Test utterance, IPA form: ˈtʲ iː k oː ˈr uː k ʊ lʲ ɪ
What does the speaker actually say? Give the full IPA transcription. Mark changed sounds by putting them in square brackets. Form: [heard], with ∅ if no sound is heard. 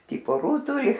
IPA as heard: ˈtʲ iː [p] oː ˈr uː [t] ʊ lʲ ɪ